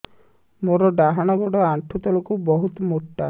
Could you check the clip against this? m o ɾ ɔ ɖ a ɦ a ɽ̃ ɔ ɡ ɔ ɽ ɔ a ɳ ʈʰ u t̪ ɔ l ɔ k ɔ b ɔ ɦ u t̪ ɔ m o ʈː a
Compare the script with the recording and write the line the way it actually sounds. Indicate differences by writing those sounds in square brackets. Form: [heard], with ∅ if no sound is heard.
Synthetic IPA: m o ɾ ɔ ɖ a ɦ a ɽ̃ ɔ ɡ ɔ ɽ ɔ a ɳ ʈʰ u t̪ ɔ l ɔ k [u] b ɔ ɦ u t̪ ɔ m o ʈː a